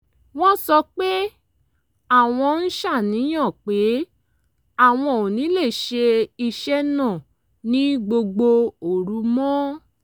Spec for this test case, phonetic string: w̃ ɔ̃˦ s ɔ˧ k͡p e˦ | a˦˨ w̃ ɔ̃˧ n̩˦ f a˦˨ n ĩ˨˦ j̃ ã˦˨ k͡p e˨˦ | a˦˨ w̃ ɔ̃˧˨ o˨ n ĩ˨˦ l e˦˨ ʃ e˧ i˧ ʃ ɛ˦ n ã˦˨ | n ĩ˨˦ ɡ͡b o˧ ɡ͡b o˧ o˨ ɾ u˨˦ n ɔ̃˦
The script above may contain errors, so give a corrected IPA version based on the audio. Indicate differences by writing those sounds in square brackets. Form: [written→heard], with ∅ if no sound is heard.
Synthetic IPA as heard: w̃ ɔ̃˦ s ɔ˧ k͡p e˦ | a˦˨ w̃ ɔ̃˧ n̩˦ [f→ʃ] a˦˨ n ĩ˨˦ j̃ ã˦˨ k͡p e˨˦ | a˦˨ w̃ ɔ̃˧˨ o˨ n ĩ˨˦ l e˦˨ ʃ e˧ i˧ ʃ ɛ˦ n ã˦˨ | n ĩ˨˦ ɡ͡b o˧ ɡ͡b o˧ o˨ ɾ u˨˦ [n→m] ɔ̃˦